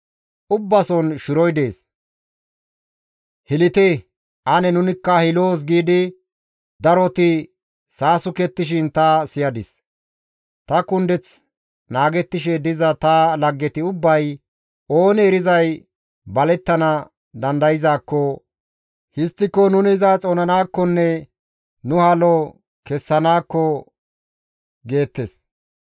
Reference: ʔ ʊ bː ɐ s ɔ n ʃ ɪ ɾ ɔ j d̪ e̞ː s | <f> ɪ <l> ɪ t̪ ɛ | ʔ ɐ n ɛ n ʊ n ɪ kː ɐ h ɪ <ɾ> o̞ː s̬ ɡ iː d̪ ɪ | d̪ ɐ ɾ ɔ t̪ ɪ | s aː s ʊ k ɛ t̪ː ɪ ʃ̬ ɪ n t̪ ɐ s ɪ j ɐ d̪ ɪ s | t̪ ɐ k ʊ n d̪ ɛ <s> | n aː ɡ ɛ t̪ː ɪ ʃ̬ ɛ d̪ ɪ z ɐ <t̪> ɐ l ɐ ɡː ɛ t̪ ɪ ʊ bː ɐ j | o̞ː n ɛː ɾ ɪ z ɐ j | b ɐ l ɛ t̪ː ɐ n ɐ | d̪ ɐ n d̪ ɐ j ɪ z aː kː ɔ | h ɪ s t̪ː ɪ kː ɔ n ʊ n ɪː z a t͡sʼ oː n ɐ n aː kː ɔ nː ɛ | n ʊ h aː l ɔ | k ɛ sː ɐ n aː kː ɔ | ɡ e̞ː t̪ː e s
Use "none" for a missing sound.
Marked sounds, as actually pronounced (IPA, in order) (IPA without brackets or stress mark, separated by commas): h, l, l, t͡s, t̪